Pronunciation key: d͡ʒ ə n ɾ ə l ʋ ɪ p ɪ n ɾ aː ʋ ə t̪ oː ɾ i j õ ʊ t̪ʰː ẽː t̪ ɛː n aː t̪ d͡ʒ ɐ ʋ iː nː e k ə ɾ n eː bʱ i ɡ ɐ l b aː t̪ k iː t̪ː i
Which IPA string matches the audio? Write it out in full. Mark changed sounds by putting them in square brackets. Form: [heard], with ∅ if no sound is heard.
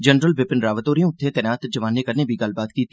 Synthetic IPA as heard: d͡ʒ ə n ɾ ə l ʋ ɪ p ɪ n ɾ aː ʋ ə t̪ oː ɾ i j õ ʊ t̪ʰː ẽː t̪ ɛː n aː t̪ d͡ʒ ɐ ʋ [aː] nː e k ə ɾ n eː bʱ i ɡ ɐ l b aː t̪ k iː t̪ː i